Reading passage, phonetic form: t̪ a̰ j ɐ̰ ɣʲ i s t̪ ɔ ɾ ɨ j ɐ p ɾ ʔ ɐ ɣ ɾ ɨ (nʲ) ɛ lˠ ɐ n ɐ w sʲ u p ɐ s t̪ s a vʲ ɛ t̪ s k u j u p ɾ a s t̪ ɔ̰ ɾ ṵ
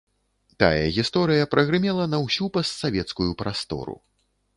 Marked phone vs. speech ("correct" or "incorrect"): incorrect